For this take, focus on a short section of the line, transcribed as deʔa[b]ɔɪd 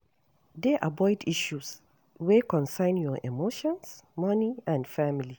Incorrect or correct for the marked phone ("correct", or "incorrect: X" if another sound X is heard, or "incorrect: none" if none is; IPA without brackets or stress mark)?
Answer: correct